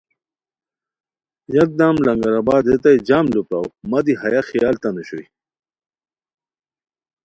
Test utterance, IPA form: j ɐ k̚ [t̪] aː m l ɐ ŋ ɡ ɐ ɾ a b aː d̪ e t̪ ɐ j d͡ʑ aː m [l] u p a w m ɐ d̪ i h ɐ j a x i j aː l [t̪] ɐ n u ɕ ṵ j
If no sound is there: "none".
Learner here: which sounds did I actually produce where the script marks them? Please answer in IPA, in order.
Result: d̪, l, t̪

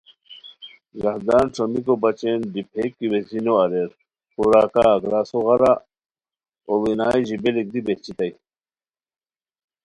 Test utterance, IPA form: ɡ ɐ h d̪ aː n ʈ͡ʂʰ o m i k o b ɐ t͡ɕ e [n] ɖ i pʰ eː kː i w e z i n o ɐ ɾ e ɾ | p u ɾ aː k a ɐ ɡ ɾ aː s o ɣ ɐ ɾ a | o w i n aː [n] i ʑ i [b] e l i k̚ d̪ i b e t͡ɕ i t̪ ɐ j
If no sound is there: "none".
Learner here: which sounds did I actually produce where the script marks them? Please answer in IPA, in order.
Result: n, none, b

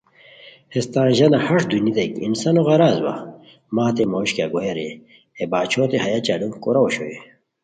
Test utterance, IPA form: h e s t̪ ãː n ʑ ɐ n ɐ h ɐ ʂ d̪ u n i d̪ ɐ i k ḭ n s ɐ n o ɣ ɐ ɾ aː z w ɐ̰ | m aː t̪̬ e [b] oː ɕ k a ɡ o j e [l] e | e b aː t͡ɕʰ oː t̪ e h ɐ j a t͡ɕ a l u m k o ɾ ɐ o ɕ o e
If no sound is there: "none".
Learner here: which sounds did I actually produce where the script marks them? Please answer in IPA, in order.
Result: m, ɾ

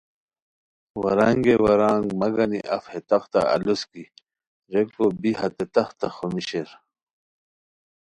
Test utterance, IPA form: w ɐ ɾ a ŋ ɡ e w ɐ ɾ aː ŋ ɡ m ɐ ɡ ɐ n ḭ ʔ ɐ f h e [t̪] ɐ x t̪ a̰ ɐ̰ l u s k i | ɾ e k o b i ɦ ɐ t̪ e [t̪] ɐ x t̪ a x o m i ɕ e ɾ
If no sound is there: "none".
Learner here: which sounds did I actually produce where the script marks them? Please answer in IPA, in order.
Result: t̪, t̪

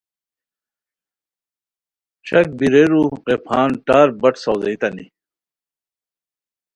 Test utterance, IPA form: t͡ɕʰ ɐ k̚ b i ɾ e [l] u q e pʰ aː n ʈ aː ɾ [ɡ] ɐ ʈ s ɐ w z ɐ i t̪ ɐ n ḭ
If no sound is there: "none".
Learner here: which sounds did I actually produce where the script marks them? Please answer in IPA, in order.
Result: ɾ, b

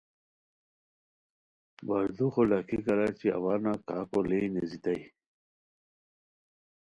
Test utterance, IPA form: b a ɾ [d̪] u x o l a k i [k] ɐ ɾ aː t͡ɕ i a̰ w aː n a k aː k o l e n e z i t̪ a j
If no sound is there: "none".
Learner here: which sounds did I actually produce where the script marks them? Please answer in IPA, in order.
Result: d̪, k

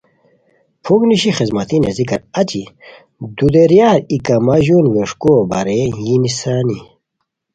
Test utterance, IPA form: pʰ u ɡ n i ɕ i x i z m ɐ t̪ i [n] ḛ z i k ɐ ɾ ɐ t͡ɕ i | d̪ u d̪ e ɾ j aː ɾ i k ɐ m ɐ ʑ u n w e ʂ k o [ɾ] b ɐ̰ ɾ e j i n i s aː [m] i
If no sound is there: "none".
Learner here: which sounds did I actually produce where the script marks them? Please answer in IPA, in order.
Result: n, none, n

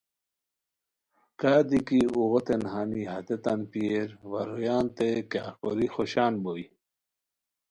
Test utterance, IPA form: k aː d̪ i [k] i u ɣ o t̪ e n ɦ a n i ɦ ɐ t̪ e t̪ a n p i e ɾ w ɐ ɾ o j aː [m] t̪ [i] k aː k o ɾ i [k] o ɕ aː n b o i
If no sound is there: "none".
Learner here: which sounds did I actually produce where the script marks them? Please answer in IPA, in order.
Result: k, n, e, x

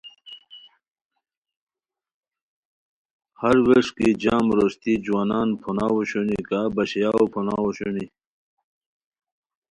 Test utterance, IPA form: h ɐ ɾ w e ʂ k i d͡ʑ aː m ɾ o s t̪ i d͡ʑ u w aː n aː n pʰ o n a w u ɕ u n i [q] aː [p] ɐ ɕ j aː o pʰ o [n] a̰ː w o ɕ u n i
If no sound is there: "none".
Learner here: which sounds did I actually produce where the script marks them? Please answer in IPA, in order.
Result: k, b, n

